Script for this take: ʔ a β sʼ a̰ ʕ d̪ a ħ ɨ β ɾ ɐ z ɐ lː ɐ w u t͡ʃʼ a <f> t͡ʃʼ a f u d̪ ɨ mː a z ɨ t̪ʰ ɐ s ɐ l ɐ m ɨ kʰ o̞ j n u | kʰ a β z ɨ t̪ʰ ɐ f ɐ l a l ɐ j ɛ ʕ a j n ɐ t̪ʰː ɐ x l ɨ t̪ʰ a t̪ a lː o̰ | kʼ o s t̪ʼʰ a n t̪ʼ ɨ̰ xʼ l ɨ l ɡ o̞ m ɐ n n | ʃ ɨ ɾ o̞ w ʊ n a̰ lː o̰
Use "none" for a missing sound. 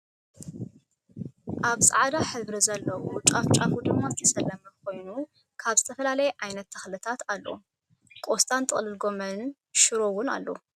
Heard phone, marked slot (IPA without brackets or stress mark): f